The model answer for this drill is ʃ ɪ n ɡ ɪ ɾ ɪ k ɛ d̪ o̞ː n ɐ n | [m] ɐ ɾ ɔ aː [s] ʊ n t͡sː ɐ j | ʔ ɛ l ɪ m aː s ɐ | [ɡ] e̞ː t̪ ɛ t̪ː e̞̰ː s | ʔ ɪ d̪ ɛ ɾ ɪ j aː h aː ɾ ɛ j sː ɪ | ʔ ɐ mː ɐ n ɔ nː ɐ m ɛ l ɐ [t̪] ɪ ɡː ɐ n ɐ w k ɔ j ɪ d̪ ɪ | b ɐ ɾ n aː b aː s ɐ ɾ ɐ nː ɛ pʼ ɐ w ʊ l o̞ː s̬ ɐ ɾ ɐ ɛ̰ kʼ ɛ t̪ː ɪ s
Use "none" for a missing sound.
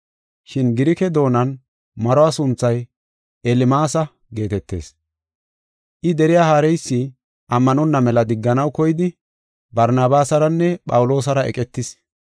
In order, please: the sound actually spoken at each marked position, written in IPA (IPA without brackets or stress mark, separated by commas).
m, s, ɡ, d̪